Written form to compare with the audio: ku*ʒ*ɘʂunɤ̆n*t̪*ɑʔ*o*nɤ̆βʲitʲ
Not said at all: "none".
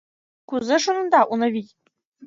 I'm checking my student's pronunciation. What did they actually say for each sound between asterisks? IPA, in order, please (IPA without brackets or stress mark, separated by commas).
z, d̪, u